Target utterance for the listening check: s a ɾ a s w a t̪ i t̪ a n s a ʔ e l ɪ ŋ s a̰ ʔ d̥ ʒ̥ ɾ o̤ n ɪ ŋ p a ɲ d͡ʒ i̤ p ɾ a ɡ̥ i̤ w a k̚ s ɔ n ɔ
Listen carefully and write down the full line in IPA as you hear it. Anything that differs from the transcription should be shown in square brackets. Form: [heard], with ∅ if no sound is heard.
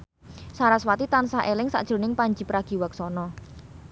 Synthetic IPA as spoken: s a ɾ a s w a t̪ i t̪ a n s a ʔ e l ɪ ŋ s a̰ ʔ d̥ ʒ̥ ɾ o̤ n ɪ ŋ p a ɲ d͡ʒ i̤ p ɾ a ɡ̥ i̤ w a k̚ s ɔ n ɔ